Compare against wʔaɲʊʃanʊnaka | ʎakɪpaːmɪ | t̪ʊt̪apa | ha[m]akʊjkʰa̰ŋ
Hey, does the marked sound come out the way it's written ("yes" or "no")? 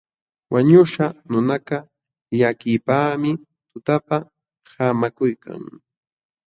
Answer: yes